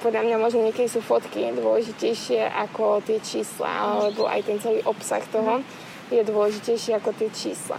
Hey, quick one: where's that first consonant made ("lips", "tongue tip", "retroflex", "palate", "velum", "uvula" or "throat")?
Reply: lips